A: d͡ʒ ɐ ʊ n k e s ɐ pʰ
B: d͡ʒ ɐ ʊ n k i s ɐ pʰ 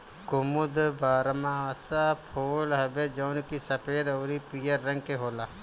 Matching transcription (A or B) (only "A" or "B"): B